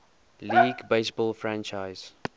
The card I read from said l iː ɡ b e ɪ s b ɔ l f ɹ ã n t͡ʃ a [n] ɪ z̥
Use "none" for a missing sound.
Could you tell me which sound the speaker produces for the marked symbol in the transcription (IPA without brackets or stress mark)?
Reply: none